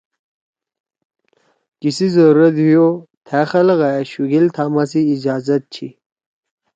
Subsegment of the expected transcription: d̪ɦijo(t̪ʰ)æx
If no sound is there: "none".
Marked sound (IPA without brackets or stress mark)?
t̪ʰ